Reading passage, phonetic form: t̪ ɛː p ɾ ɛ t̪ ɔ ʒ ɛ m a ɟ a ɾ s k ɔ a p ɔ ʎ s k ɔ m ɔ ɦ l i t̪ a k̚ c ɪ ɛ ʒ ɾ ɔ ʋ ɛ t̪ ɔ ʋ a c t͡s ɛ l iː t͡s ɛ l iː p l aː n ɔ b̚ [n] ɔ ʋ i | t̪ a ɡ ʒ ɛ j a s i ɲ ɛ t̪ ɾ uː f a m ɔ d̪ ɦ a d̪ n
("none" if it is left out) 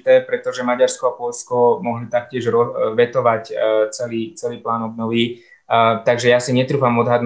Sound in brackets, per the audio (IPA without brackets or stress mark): n